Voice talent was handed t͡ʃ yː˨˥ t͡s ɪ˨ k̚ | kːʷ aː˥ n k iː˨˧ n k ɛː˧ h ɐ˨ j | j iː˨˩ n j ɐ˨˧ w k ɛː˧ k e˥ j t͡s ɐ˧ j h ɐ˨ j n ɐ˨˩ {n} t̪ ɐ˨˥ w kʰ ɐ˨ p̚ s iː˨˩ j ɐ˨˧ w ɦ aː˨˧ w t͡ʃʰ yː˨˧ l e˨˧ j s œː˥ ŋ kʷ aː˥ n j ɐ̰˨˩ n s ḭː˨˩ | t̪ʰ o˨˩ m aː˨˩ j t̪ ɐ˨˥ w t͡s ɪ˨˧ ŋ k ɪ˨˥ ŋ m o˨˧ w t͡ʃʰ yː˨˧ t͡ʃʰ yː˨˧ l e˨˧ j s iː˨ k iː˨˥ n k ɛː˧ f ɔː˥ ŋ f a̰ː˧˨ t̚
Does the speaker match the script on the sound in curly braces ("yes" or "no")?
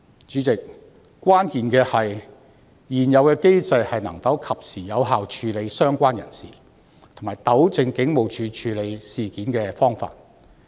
no